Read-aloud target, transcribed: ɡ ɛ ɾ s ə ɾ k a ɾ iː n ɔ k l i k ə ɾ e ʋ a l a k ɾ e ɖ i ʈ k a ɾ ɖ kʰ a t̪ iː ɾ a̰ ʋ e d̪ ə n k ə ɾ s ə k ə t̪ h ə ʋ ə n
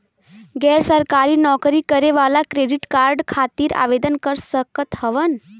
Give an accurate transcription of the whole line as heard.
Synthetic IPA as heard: ɡ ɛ ɾ s ə ɾ k a ɾ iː n ɔ k ɾ i k ə ɾ e ʋ a l a k ɾ e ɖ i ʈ k a ɾ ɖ kʰ a t̪ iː ɾ a̰ ʋ e d̪ ə n k ə ɾ s ə k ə t̪ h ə ʋ ə n

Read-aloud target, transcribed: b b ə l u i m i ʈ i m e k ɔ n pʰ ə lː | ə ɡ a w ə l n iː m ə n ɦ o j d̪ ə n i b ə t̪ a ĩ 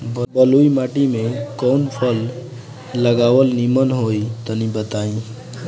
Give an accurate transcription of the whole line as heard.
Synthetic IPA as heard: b b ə l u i m a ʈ i m e k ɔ n pʰ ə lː | ə ɡ a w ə l n i m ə n ɦ o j t̪ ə n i b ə t̪ a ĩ

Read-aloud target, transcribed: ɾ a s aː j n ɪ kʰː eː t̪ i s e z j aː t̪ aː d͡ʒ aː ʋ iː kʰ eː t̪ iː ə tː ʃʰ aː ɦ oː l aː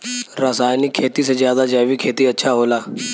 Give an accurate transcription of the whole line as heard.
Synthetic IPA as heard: ɾ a s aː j n ɪ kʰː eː t̪ i s e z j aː d̪ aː d͡ʒ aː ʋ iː kʰ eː t̪ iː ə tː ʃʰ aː ɦ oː l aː

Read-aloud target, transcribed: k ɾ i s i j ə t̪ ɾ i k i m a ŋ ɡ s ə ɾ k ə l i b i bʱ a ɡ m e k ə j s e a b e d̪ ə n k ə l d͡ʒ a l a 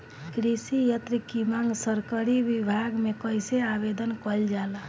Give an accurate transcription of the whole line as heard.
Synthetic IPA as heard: k ɾ i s i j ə t̪ ɾ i k i m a ŋ ɡ s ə ɾ k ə ɾ i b i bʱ a ɡ m e k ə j s e a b e d̪ ə n k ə l d͡ʒ a l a

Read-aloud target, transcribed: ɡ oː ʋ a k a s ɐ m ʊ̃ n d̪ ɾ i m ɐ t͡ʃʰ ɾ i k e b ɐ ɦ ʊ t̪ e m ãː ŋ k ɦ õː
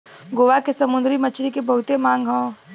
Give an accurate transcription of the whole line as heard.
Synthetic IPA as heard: ɡ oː ʋ a k e s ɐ m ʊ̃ n d̪ ɾ i m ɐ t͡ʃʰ ɾ i k e b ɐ ɦ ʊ t̪ e m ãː ŋ ɡ ɦ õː

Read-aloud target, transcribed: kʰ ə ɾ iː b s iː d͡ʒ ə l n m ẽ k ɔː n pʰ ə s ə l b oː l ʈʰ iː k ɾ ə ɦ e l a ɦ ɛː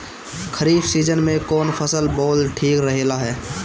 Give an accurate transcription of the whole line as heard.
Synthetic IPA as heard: kʰ ə ɾ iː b s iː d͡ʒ ə n m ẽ k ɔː n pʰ ə s ə l b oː l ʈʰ iː k ɾ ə ɦ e l a ɦ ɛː

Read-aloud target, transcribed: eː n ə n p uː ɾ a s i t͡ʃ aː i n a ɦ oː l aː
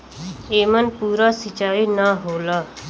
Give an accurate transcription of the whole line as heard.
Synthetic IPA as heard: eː m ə n p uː ɾ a s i t͡ʃ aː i n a ɦ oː l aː

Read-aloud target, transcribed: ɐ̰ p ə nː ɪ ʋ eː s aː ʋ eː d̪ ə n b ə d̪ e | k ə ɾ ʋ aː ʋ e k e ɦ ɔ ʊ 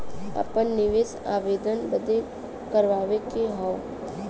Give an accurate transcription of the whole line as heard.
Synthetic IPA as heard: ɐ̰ p ə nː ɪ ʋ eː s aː ʋ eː d̪ ə n b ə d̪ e | k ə ɾ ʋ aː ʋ e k e ɦ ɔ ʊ

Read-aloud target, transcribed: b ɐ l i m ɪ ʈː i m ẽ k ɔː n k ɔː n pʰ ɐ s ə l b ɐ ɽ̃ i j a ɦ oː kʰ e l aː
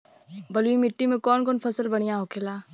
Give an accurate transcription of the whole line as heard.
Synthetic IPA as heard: b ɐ l i m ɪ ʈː i m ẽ k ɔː n k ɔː n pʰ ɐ s ə l b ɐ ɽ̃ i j a ɦ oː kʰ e l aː

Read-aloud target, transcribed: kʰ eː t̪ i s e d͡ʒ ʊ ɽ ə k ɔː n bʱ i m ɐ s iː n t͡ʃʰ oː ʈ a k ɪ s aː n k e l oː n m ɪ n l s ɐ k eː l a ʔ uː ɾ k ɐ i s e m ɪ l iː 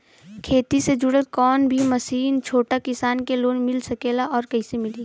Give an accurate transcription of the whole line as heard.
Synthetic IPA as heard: kʰ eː t̪ i s e d͡ʒ ʊ ɽ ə k ɔː n bʱ i m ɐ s iː n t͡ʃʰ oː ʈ a k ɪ s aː n k e l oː n m ɪ l s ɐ k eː l a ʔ ɔː ɾ k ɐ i s e m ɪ l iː

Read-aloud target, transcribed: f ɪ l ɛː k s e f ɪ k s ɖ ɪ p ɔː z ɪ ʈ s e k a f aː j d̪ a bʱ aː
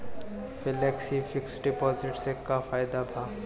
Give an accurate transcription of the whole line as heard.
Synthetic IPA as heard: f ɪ l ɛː k s i f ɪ k s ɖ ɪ p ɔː z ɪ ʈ s e k a f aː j d̪ a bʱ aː

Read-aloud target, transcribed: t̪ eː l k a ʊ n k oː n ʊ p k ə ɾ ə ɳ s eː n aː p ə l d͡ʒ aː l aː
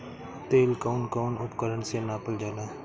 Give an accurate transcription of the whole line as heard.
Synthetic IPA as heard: t̪ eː l k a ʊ n k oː n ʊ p k ə ɾ ə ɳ s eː n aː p ə l d͡ʒ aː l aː

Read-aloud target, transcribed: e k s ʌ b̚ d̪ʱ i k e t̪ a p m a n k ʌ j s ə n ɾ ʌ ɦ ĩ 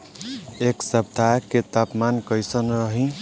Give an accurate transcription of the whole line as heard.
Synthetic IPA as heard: e k s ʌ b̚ d̪ʱ a k e t̪ a p m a n k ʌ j s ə n ɾ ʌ ɦ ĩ

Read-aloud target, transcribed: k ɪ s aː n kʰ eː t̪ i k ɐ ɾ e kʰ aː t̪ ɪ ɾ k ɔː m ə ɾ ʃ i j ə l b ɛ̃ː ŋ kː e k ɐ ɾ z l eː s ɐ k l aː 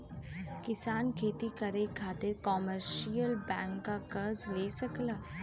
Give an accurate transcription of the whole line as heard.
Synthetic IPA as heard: k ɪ s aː n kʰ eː t̪ i k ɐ ɾ e kʰ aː t̪ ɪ ɾ k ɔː m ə ɾ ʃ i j ə l b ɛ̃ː ŋ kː a k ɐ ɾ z l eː s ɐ k l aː

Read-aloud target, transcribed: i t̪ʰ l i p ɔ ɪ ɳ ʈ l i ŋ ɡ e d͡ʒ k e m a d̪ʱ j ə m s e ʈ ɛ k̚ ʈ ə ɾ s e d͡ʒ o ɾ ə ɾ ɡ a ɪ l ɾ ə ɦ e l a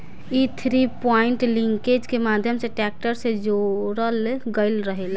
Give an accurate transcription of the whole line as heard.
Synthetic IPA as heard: i t̪ʰ ɾ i p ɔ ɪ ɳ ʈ l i ŋ k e d͡ʒ k e m a d̪ʱ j ə m s e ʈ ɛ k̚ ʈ ə ɾ s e d͡ʒ o ɾ ə l ɡ ə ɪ l ɾ ə ɦ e l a

